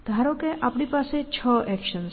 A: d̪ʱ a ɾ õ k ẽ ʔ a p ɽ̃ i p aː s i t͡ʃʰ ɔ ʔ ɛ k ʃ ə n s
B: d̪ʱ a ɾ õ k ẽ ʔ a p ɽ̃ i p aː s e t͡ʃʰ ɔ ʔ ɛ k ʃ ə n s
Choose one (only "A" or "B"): B